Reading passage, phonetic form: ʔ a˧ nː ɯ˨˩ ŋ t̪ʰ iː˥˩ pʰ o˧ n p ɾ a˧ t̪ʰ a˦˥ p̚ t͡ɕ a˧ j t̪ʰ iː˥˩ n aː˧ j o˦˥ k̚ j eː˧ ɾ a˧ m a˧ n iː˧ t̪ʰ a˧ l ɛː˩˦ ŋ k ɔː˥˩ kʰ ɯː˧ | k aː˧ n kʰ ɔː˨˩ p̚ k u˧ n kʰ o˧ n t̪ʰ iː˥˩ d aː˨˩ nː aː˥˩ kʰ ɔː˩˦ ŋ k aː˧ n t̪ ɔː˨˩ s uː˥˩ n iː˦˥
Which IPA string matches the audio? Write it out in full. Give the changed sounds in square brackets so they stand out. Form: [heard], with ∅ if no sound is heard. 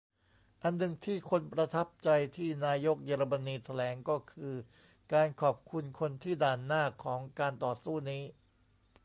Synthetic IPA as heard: ʔ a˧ nː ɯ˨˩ ŋ t̪ʰ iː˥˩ [kʰ] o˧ n p ɾ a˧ t̪ʰ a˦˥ p̚ t͡ɕ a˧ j t̪ʰ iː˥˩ n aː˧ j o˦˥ k̚ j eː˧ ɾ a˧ m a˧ n iː˧ t̪ʰ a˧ l ɛː˩˦ ŋ k ɔː˥˩ kʰ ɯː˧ | k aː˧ n kʰ ɔː˨˩ p̚ [kʰ] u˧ n kʰ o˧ n t̪ʰ iː˥˩ d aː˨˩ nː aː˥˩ kʰ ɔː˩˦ ŋ k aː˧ n t̪ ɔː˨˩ s uː˥˩ n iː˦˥